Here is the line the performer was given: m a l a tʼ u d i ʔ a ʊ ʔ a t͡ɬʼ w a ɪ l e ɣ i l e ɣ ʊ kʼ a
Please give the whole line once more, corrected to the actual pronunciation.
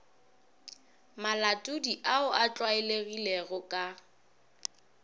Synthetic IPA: m a l a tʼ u d i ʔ a ʊ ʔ a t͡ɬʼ w a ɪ l e ɣ i l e ɣ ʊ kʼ a